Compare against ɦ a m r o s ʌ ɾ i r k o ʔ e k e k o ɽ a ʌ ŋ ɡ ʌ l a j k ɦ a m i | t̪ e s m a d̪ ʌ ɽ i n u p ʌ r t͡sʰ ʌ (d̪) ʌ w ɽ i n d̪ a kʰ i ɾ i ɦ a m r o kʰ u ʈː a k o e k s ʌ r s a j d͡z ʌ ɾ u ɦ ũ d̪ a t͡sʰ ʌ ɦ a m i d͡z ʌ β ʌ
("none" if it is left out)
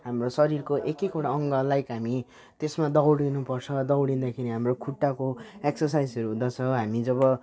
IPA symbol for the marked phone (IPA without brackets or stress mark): d̪